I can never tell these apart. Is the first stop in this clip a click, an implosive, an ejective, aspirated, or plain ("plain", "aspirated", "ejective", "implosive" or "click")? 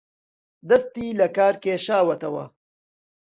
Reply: plain